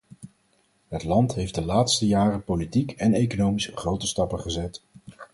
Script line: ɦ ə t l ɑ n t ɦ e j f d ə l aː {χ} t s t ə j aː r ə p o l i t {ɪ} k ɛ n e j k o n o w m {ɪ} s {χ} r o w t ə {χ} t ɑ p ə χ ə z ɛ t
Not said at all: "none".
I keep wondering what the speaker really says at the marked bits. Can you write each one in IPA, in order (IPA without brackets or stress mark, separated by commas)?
none, i, i, χ, s